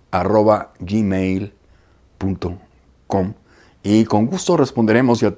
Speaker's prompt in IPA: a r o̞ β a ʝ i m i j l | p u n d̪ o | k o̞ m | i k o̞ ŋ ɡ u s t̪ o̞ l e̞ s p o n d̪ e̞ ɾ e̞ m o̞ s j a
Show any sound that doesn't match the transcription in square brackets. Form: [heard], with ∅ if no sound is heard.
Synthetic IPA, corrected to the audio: a r o̞ β a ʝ i m [e] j l | p u n [t̪] o | k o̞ m | i k o̞ ŋ ɡ u s t̪ o̞ [r] e̞ s p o n d̪ e̞ ɾ e̞ m o̞ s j a

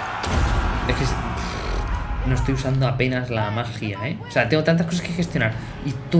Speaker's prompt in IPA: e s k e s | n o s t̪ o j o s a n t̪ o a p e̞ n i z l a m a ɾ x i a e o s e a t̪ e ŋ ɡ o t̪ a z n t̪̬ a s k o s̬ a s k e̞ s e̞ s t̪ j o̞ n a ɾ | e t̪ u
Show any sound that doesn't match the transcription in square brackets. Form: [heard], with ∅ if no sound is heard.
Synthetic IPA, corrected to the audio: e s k e s | n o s t̪ o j [u] s a n [d̪] o a p e̞ n [a] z l a m a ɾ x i a e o s e a t̪ e ŋ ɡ o t̪ a [∅] n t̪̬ a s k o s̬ a s k e̞ [x] e̞ s t̪ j o̞ n a ɾ | [i] t̪ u

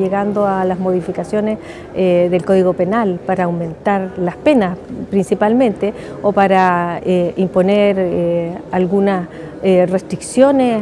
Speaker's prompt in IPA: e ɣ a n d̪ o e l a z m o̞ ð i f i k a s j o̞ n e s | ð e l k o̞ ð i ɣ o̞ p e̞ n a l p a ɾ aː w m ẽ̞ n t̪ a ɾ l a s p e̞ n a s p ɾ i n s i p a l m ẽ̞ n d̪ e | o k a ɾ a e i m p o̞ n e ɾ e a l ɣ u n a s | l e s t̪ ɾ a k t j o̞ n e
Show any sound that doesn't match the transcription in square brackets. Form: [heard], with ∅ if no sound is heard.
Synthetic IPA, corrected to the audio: e ɣ a n d̪ o [a] l a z m o̞ ð i f i k a s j o̞ n e s | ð e l k o̞ ð i ɣ o̞ p e̞ n a l p a ɾ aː w m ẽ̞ n t̪ a ɾ l a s p e̞ n a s p ɾ i n s i p a l m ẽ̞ n [t̪] e | o [p] a ɾ a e i m p o̞ n e ɾ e a l ɣ u n a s | [r] e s t̪ ɾ [i] k [s] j o̞ n e

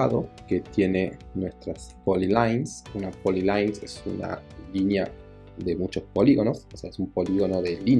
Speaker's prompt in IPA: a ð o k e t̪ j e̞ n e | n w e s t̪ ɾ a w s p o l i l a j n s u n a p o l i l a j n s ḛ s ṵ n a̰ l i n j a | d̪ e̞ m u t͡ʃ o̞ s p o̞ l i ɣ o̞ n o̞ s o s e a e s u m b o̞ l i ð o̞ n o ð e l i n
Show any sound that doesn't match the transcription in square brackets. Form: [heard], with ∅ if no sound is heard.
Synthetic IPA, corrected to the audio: a ð o k e t̪ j e̞ n e | n w e s t̪ ɾ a [∅] s p o l i l a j n s u n a p o l i l a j n s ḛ s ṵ n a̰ l i n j a | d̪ e̞ m u t͡ʃ o̞ s p o̞ l i ɣ o̞ n o̞ s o s e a e s u m [p] o̞ l i [ɣ] o̞ n o ð e l i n

